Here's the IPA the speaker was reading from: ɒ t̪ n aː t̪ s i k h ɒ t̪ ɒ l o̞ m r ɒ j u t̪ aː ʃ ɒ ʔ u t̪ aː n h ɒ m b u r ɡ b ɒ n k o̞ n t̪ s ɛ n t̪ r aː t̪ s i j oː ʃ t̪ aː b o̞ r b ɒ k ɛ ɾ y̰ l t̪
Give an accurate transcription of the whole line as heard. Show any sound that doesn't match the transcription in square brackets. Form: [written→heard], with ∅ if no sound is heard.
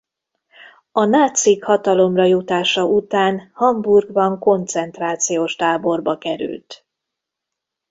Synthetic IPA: ɒ [t̪→∅] n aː t̪ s i k h ɒ t̪ ɒ l o̞ m r ɒ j u t̪ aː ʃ ɒ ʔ u t̪ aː n h ɒ m b u r ɡ b ɒ [n→ŋ] k o̞ n t̪ s ɛ n t̪ r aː t̪ s i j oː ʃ t̪ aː b o̞ r b ɒ k ɛ ɾ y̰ l t̪